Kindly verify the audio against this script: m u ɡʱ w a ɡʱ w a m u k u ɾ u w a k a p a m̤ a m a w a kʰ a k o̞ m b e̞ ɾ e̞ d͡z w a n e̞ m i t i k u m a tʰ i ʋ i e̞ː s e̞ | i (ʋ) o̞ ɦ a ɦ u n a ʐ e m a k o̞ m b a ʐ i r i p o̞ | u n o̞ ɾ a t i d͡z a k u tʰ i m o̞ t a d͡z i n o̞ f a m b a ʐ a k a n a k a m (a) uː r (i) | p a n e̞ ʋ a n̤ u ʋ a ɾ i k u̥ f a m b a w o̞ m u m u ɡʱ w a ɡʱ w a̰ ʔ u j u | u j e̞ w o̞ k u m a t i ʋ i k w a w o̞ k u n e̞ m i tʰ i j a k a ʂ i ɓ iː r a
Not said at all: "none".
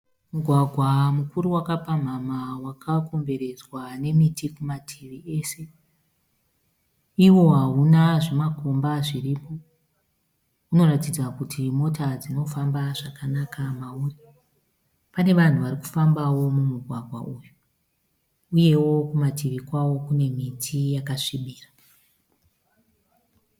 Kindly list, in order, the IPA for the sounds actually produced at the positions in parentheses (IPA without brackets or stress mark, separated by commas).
w, a, i